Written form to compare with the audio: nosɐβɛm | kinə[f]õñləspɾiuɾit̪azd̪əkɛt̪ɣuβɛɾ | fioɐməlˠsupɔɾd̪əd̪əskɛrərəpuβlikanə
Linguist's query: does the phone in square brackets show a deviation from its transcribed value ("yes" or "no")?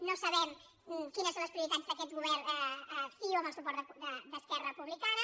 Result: yes